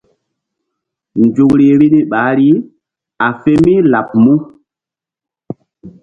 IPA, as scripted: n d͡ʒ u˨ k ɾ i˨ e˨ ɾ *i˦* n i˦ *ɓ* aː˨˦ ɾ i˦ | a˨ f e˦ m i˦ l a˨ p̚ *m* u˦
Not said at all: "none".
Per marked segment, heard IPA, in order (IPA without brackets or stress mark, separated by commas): i˦, ɓ, m